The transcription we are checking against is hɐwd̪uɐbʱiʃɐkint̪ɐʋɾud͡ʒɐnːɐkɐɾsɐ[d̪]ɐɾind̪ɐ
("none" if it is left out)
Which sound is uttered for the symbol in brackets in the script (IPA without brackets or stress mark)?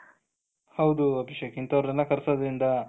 d̪